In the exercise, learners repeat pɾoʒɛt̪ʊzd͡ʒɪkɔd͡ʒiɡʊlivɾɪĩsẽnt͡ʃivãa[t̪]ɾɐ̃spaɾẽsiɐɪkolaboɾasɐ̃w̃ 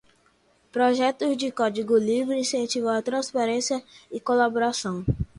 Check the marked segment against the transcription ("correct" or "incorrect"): correct